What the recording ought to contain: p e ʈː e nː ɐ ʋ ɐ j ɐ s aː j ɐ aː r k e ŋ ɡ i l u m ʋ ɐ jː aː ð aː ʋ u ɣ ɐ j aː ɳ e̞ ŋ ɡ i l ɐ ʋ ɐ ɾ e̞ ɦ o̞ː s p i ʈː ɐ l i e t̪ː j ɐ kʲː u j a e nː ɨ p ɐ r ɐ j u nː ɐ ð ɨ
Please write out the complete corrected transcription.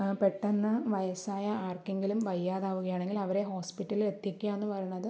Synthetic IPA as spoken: p e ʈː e nː ɐ ʋ ɐ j ɐ s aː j ɐ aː r k e ŋ ɡ i l u m ʋ ɐ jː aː ð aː ʋ u ɣ ɐ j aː ɳ e̞ ŋ ɡ i l ɐ ʋ ɐ ɾ e̞ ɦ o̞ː s p i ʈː ɐ l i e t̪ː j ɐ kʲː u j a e nː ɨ p ɐ r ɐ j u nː ɐ ð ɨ